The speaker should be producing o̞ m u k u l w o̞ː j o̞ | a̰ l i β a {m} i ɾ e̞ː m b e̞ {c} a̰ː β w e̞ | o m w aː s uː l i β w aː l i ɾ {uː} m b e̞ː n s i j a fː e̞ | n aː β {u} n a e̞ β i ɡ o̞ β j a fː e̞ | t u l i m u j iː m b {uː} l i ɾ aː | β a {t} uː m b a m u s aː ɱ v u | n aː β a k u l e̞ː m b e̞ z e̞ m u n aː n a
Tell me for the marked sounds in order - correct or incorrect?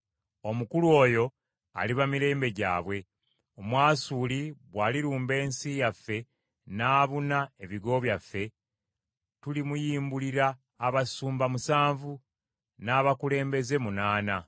correct, incorrect, correct, correct, incorrect, incorrect

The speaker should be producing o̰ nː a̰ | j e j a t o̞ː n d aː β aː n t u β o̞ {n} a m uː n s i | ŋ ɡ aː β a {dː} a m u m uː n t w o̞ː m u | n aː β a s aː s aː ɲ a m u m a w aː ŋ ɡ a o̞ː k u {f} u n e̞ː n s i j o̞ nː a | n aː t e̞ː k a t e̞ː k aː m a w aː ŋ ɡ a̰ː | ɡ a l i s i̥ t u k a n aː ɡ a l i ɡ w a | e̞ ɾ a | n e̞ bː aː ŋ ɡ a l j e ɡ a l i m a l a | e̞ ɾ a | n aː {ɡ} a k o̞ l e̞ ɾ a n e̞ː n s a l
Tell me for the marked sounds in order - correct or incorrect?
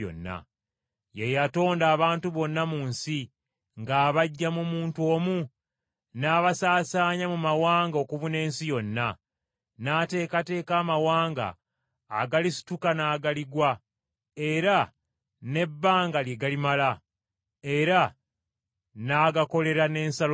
incorrect, incorrect, incorrect, correct

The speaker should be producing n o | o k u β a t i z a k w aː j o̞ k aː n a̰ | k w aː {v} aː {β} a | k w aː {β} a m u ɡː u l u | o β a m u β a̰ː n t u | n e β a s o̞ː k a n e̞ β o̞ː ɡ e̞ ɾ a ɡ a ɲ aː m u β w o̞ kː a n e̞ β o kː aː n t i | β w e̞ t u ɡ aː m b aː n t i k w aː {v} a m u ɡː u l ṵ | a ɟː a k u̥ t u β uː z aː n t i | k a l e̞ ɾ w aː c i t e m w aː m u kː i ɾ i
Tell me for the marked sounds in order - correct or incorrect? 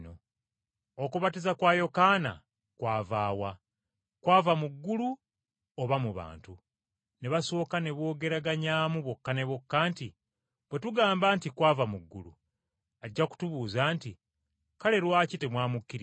correct, incorrect, incorrect, correct

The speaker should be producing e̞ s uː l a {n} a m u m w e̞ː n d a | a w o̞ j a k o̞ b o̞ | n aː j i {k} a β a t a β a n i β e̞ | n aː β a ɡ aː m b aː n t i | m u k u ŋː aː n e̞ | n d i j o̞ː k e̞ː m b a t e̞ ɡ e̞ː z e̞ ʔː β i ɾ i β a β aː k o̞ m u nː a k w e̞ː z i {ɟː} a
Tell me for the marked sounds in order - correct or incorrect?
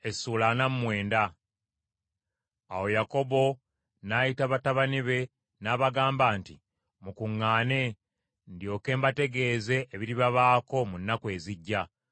correct, incorrect, correct

